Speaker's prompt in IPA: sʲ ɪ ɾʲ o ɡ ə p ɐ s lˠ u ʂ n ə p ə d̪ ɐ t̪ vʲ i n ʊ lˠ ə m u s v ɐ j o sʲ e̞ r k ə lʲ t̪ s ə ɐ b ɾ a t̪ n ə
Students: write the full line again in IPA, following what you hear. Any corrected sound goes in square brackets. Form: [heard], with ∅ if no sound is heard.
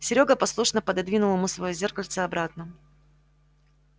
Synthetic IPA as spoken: sʲ ɪ ɾʲ o ɡ ə p ɐ s lˠ u ʂ n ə p ə d̪ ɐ [d̪] vʲ i n ʊ lˠ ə m u s v ɐ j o [zʲ] e̞ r k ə lʲ t̪ s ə ɐ b ɾ a t̪ n ə